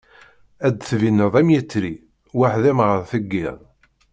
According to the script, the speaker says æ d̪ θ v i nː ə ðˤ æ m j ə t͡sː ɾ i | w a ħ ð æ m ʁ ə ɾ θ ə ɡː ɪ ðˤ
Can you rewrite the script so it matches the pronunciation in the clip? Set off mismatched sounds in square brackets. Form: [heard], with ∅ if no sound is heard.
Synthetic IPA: æ d̪ θ v i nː ə ðˤ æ m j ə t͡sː ɾ i | w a ħ ð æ m ʁ ə ɾ θ ə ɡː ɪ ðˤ